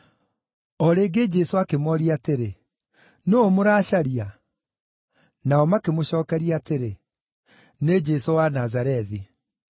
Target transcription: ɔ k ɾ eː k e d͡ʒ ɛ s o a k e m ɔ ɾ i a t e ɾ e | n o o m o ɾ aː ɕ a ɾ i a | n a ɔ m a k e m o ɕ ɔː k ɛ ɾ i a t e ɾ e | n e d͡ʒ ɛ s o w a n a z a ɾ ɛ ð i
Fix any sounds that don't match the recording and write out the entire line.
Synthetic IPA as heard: ɔ ɾ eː ɡ e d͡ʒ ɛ s o a k e m ɔ ɾ i a t e ɾ e | n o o m o ɾ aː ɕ a ɾ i a | n a ɔ m a k e m o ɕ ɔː k ɛ ɾ i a t e ɾ e | n e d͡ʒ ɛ s o w a n a z a ɾ ɛ ð i